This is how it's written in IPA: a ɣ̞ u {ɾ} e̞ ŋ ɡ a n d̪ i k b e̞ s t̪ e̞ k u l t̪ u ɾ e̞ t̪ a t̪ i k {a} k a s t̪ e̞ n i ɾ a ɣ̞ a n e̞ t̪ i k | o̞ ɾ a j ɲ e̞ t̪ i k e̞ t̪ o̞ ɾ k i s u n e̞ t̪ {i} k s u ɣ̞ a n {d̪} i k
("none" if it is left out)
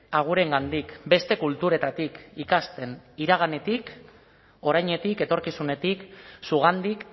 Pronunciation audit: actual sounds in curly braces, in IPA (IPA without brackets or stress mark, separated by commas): ɾ, i, i, d̪